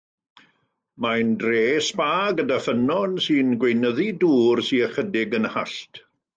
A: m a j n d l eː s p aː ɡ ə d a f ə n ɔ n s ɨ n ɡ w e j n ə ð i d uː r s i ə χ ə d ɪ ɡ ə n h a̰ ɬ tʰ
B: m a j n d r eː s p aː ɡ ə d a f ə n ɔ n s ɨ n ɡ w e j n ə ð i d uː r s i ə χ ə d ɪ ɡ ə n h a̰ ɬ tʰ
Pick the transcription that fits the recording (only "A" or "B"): B